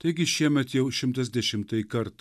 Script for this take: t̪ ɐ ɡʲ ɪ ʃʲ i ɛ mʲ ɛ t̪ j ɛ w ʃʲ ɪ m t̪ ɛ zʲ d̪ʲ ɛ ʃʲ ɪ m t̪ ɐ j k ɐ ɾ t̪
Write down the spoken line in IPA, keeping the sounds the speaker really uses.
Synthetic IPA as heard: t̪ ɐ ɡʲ ɪ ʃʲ i ɛ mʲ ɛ t̪ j ɛ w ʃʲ ɪ m t̪ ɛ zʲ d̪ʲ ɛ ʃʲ ɪ m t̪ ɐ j k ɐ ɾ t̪